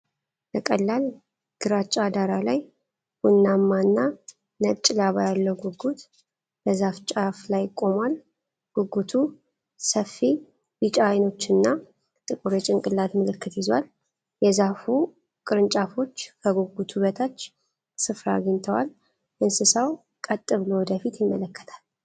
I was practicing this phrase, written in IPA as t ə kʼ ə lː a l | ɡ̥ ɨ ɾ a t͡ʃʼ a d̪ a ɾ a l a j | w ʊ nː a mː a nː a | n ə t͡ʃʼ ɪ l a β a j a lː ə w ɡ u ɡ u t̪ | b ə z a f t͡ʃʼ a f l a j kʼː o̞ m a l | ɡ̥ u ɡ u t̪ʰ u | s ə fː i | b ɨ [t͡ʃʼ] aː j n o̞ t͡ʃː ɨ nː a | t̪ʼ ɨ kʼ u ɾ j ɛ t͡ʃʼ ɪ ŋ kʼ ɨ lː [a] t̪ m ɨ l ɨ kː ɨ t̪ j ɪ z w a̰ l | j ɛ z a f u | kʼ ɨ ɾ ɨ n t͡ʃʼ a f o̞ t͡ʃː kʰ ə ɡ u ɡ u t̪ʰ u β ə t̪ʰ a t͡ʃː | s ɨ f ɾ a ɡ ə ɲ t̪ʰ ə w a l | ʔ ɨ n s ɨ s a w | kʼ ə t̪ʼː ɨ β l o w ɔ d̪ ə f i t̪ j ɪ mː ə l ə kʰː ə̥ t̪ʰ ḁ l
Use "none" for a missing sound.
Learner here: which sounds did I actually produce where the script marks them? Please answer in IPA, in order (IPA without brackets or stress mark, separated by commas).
t͡ʃʼ, a